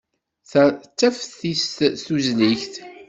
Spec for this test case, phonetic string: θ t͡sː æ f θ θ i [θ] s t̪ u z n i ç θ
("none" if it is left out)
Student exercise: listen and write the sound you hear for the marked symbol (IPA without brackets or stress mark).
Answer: s